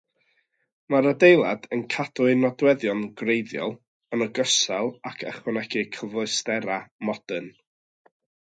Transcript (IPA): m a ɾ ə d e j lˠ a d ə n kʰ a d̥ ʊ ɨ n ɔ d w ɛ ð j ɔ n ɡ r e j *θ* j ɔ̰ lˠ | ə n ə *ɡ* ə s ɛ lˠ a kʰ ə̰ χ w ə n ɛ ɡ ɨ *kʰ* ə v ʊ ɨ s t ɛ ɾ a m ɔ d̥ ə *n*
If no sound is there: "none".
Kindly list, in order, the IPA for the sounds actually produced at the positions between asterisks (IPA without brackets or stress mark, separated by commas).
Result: ð, ɡ, kʰ, n